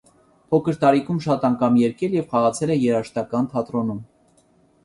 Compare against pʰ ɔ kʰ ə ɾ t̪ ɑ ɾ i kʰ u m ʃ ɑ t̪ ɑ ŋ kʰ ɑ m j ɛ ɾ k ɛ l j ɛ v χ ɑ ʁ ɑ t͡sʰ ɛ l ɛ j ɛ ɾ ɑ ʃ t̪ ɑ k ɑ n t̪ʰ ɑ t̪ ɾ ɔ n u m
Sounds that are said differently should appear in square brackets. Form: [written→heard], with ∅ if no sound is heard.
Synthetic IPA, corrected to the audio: pʰ ɔ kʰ ə ɾ t̪ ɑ ɾ i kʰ u m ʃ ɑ t̪ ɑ ŋ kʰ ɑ m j ɛ ɾ k ɛ l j ɛ v χ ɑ ʁ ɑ t͡sʰ ɛ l ɛ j ɛ ɾ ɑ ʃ t̪ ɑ k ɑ n t̪ʰ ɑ t̪ ɾ ɔ n u m